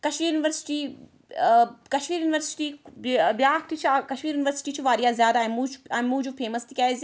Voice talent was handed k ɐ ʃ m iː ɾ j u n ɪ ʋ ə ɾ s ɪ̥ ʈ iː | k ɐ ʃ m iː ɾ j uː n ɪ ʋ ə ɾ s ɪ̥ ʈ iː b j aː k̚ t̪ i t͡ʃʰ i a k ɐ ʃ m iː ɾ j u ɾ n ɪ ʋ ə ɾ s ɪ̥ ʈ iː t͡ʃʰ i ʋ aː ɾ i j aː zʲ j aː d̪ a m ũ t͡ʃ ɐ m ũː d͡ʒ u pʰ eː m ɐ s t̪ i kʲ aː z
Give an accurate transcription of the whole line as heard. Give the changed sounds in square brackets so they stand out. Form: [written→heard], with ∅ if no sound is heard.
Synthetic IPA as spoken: k ɐ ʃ m iː ɾ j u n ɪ ʋ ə ɾ s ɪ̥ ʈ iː | k ɐ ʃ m iː ɾ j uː n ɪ ʋ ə ɾ s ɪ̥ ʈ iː b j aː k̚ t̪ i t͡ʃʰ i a k ɐ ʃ m iː ɾ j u [ɾ→∅] n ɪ ʋ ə ɾ s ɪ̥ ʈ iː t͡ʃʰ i ʋ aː ɾ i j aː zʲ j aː d̪ a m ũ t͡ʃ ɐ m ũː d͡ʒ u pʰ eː m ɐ s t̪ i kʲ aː z